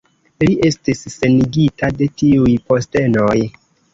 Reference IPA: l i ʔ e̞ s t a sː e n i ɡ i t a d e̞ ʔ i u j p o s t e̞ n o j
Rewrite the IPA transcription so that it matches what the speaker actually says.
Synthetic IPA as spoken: l i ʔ e̞ s t i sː e n i ɡ i t a d e̞ t i u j p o s t e̞ n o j